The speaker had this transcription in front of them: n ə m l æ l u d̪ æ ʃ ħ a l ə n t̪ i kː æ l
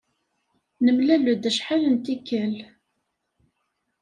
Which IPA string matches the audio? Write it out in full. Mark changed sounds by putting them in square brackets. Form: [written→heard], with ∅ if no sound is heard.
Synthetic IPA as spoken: n ə m l æ l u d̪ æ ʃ ħ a l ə n t̪ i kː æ l